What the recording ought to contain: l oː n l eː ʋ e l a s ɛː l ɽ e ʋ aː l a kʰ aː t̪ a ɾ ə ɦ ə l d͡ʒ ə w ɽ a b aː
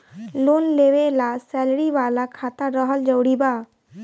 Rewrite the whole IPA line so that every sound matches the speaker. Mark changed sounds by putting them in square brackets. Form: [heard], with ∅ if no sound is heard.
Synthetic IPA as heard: l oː n l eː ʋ e l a s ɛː l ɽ [i] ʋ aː l a kʰ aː t̪ a ɾ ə ɦ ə l d͡ʒ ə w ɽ [i] b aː

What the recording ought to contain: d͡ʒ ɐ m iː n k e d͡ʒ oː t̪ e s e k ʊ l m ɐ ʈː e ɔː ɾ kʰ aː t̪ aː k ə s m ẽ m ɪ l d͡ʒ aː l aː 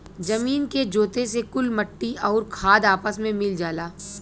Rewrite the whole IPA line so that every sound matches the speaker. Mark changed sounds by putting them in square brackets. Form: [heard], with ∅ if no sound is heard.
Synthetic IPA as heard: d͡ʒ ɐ m iː n k e d͡ʒ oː t̪ e s e k ʊ l m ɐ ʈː [i] ɔː ɾ kʰ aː [d̪] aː [p] ə s m ẽ m ɪ l d͡ʒ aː l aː

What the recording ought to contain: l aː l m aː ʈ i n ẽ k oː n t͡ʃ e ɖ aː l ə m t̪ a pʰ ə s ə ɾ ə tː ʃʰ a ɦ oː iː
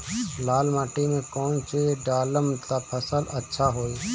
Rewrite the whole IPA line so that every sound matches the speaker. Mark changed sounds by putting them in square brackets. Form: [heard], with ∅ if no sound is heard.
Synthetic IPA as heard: l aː l m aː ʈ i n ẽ k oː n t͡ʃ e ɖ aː l ə m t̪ a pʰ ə s ə [l] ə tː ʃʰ a ɦ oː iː

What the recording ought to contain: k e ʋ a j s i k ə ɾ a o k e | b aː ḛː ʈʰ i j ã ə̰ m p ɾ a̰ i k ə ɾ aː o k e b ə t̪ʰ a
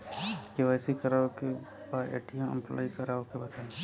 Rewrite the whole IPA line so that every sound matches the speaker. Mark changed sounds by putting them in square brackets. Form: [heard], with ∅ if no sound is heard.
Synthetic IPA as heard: k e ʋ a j s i k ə ɾ a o k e | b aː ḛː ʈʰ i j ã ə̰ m p [l] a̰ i k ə ɾ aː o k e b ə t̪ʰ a

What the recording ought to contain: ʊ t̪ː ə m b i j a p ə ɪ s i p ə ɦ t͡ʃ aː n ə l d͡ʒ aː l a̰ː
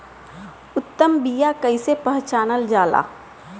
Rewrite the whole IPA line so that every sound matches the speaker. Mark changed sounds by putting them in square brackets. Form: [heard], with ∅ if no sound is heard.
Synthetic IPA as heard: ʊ t̪ː ə m b i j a [k] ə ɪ s [e] p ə ɦ t͡ʃ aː n ə l d͡ʒ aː l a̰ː

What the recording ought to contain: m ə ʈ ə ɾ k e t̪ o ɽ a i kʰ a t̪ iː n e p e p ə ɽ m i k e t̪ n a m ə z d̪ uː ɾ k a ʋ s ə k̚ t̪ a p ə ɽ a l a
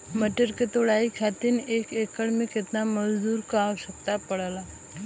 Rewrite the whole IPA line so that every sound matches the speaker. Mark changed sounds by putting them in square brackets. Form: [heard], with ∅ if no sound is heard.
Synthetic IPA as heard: m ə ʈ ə ɾ k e t̪ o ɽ a i kʰ a t̪ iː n e [k] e [k] ə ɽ m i k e t̪ n a m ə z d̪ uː ɾ k a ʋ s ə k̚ t̪ a p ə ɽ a l a

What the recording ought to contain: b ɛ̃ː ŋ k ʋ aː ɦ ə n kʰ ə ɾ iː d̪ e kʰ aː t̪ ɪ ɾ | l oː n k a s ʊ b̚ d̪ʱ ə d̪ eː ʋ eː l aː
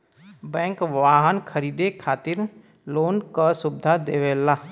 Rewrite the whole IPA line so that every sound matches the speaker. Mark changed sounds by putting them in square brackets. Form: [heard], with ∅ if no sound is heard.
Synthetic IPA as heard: b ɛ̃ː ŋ k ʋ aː ɦ ə n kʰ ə ɾ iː d̪ e kʰ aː t̪ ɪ ɾ | l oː n k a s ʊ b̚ d̪ʱ [a] d̪ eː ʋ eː l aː

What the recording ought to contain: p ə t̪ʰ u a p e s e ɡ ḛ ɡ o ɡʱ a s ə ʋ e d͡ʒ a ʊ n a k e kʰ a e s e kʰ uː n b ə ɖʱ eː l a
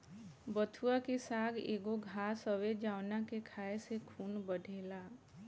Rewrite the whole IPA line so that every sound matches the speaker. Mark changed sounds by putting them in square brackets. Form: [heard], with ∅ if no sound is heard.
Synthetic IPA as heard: [b] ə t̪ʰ u a [k] e s [a] ɡ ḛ ɡ o ɡʱ a s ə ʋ e d͡ʒ a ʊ n a k e kʰ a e s e kʰ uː n b ə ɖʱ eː l a

